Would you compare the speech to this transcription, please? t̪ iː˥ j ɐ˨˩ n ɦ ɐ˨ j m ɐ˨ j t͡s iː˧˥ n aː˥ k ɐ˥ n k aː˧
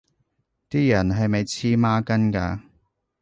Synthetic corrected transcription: t̪ iː˥ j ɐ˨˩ n ɦ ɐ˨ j m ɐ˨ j t͡sʰ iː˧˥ m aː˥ k ɐ˥ n k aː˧

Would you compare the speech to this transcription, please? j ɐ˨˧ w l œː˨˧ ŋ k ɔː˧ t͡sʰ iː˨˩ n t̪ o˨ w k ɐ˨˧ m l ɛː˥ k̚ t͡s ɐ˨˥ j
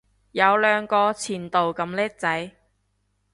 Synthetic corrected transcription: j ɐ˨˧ w l œː˨˧ ŋ k ɔː˧ t͡sʰ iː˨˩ n t̪ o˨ w k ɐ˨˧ m l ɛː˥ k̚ t͡s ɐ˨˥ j

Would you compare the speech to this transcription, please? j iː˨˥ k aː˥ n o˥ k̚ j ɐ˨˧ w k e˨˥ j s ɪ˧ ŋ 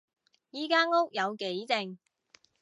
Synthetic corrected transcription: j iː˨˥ k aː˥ ŋ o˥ k̚ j ɐ˨˧ w k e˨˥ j t͡s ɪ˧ ŋ

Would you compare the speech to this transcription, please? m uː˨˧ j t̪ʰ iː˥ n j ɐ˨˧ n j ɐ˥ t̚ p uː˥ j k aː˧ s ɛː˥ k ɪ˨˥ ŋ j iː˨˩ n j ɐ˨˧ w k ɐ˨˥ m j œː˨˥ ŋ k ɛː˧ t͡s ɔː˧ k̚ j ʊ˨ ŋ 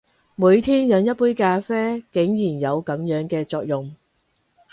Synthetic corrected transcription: m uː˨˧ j t̪ʰ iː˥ n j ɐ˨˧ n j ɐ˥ t̚ p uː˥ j k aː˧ f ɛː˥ k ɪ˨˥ ŋ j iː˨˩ n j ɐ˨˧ w k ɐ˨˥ m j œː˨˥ ŋ k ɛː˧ t͡s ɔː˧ k̚ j ʊ˨ ŋ

